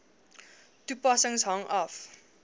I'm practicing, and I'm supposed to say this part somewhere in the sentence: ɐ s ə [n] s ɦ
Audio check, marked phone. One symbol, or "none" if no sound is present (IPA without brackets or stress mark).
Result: ŋ